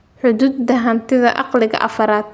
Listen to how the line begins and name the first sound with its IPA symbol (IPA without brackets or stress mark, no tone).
ħ